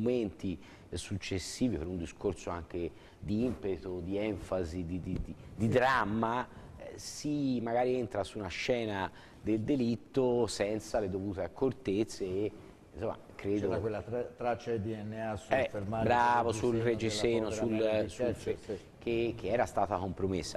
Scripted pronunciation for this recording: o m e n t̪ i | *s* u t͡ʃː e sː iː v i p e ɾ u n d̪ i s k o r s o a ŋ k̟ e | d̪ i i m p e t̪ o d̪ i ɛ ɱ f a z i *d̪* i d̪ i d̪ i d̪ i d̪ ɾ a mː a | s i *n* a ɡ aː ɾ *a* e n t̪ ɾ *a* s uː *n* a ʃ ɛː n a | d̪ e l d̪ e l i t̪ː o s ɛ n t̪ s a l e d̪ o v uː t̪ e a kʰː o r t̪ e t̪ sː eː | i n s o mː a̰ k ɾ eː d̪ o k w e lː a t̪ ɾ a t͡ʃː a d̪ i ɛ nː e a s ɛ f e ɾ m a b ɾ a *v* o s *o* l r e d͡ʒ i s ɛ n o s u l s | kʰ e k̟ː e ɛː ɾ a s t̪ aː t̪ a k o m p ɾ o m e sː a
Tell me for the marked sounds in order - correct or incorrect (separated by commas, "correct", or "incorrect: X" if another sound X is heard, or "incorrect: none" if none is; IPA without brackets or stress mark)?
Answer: correct, correct, incorrect: m, incorrect: i, correct, correct, correct, incorrect: u